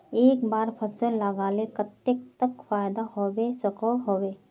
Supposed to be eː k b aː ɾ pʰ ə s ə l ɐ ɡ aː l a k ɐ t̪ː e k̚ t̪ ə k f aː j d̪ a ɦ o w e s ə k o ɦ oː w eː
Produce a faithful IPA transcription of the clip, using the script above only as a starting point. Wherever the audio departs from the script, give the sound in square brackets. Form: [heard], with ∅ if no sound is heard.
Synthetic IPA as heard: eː k b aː ɾ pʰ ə s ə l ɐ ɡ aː l [e] k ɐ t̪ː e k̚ t̪ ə k f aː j d̪ a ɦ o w e s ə k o ɦ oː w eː